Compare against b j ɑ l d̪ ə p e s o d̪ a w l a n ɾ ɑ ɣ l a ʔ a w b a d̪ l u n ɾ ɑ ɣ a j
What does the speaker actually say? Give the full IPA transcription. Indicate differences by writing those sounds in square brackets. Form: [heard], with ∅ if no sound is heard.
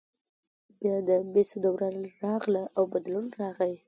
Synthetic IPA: b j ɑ [∅] d̪ ə [b] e s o d̪ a w [ɾ] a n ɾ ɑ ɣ l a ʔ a w b a d̪ l u n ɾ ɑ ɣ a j